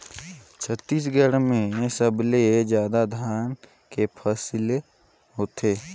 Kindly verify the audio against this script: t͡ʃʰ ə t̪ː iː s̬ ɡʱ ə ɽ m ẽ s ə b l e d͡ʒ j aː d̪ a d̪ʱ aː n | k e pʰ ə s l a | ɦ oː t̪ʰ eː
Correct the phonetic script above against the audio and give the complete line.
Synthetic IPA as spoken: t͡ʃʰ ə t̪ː iː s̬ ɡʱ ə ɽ m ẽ s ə b l e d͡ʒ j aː d̪ a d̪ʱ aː n | k e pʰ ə s l e | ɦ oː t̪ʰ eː